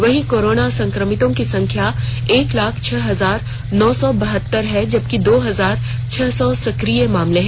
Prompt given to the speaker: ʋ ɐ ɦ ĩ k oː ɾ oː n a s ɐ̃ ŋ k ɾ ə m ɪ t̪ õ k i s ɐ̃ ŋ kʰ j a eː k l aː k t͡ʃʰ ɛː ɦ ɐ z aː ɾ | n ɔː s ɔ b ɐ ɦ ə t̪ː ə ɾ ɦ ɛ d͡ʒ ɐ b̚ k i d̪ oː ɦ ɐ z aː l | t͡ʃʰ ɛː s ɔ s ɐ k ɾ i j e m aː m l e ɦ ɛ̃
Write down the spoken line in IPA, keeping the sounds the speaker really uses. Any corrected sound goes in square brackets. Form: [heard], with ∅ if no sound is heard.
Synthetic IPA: ʋ ɐ ɦ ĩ k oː ɾ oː n a s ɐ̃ ŋ k ɾ ə m ɪ t̪ õ k i s ɐ̃ ŋ kʰ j a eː k l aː [kʰ] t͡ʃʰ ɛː ɦ ɐ z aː ɾ | n ɔː s ɔ b ɐ ɦ ə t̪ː ə ɾ ɦ ɛ d͡ʒ ɐ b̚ k i d̪ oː ɦ ɐ z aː [ɾ] | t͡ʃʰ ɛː s ɔ s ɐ k ɾ i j e m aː m l e ɦ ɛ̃